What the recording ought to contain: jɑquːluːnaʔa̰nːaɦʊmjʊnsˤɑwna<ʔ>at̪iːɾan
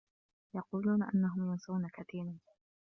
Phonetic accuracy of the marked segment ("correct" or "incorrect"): incorrect